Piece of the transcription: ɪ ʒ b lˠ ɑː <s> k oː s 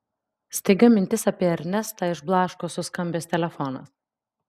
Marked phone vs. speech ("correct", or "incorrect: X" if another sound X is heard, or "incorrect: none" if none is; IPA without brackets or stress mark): incorrect: ʃ